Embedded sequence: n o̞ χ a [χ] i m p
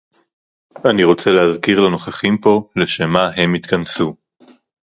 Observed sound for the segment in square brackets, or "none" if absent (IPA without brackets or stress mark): χ